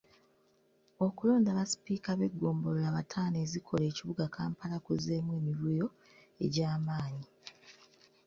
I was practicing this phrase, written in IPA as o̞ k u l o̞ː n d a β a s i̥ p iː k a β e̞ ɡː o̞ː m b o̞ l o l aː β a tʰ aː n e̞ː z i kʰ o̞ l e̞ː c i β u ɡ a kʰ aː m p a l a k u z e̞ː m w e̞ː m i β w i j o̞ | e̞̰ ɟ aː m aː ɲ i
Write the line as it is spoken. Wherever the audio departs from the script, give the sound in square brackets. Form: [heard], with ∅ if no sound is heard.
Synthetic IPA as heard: o̞ k u l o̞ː n d a β a s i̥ p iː k a β e̞ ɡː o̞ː m b o̞ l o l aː β a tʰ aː n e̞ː z i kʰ o̞ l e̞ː c i β u ɡ a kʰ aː m p a l a k u z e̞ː m w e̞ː m i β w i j o̞ | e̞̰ ɟ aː m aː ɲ i

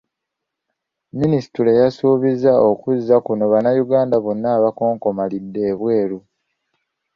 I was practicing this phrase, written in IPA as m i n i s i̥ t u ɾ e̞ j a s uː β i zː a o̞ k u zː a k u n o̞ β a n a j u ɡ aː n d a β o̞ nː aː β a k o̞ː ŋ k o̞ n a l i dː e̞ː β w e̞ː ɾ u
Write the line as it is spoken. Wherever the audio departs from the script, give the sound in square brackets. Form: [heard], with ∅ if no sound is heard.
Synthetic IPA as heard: m i n i s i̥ t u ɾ e̞ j a s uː β i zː a o̞ k u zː a k u n o̞ β a n a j u ɡ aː n d a β o̞ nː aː β a k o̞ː ŋ k o̞ [m] a l i dː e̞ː β w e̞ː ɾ u

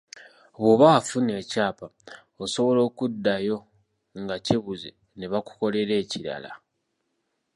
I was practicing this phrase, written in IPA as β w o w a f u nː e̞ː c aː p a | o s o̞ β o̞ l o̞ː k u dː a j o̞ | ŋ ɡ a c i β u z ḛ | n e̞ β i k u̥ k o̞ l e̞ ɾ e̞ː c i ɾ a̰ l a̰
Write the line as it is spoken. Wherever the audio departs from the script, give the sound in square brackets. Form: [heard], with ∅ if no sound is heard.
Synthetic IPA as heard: β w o [β] a f u [n] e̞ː c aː p a | o s o̞ β o̞ l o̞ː k u dː a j o̞ | ŋ ɡ a c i β u z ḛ | n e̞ β [a] k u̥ k o̞ l e̞ ɾ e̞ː c i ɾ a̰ l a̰

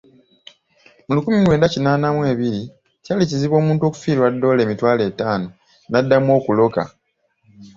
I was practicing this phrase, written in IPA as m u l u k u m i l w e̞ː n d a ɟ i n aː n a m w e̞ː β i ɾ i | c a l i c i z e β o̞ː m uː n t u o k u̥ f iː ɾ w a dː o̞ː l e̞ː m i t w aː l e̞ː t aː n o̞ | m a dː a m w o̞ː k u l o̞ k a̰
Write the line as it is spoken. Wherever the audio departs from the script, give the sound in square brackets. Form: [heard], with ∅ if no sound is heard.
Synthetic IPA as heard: m u l u k u m i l w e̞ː n d a [c] i n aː n a m w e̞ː β i ɾ i | c a l i c i z [i] β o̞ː m uː n t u o k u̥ f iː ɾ w a dː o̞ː l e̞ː m i t w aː l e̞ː t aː n o̞ | [n] a dː a m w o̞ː k u l o̞ k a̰

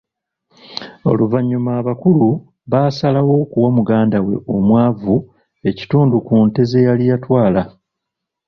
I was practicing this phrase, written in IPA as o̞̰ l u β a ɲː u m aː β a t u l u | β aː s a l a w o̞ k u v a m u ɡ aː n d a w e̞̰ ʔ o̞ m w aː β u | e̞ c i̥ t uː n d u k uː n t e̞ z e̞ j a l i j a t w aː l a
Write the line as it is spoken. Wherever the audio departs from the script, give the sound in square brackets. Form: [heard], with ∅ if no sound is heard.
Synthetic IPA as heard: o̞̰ l u [v] a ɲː u m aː β a [k] u l u | β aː s a l a w o̞ k u [w] a m u ɡ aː n d a w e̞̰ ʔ o̞ m w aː [v] u | e̞ c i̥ t uː n d u k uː n t e̞ z e̞ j a l i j a t w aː l a

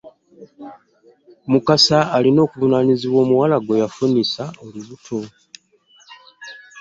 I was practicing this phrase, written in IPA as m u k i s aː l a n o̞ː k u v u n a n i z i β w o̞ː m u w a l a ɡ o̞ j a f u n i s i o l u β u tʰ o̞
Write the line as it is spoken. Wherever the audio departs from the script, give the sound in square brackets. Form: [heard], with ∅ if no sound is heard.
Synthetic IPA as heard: m u k [a] s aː l [i] n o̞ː k u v u n a n i z i β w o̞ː m u w a l a ɡ o̞ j a f u n i s [a] o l u β u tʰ o̞

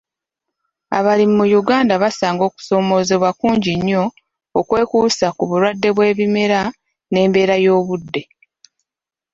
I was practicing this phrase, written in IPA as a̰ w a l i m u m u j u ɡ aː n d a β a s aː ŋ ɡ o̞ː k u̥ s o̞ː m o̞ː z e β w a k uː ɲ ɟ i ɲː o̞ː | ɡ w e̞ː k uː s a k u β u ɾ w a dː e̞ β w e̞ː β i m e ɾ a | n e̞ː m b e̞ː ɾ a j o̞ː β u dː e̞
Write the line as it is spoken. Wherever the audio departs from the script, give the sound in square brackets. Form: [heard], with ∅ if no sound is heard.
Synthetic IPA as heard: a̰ [β] a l i m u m u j u ɡ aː n d a β a s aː ŋ ɡ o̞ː k u̥ s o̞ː m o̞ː z e β w a k uː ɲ ɟ i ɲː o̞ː | [k] w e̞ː k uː s a k u β u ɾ w a dː e̞ β w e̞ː β i m e ɾ a | n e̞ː m b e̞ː ɾ a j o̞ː β u dː e̞

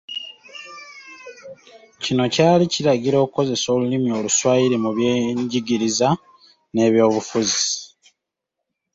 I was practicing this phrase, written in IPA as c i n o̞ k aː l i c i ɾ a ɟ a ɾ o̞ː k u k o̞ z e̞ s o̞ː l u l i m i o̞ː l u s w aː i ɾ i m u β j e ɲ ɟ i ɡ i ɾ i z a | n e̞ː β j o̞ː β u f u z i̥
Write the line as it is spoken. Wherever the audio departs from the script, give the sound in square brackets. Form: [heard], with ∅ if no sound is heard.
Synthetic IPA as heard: c i n o̞ [c] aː l i c i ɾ a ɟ [i] ɾ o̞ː k u k o̞ z e̞ s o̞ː l u l i m i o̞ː l u s w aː i ɾ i m u β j e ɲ ɟ i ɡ i ɾ i z a | n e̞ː β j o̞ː β u f u z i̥

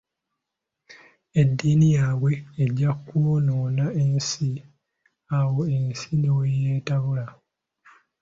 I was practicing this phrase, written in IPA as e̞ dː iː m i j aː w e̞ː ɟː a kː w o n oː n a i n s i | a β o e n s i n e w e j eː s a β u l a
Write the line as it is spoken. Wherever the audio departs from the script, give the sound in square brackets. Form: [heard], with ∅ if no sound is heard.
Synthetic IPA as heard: e̞ dː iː [n] i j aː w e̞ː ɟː a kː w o n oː n a [e] n s i | a [w] o e n s i n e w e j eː [t] a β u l a

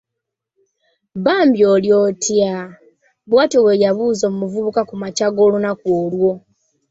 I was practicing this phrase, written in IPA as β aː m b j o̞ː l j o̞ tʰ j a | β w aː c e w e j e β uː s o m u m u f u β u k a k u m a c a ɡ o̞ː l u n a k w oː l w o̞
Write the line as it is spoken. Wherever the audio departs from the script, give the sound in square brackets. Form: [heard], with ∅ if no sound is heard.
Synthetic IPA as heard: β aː m b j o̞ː l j o̞ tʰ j a | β w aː [t] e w e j [a] β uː [z] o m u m u [v] u β u k a k u m a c a ɡ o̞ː l u n a k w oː l w o̞

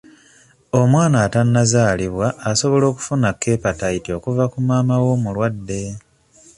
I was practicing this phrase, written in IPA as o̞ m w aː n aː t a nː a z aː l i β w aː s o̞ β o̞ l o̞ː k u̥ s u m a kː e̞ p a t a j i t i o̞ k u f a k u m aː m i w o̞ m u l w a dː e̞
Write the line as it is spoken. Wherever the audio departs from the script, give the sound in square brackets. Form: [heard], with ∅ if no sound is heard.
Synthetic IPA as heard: o̞ m w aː n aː t a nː a z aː l i β w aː s o̞ β o̞ l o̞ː k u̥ [f] u [n] a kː e̞ p a t a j i t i o̞ k u [v] a k u m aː m [a] w o̞ m u l w a dː e̞

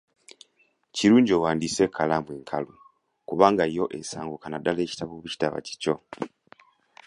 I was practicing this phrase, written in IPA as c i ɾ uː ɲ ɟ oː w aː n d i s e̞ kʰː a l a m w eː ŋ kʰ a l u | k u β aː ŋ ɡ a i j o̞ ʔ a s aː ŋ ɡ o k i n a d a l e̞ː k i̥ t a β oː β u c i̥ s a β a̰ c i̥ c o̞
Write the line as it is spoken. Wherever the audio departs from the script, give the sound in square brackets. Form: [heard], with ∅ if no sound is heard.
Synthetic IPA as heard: c i ɾ uː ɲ ɟ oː w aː n d i s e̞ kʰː a l a m w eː ŋ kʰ a l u | k u β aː ŋ ɡ a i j o̞ ʔ [e] s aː ŋ ɡ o k [a] n a d a l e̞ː [c] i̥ t a β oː β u c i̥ [t] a β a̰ c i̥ c o̞

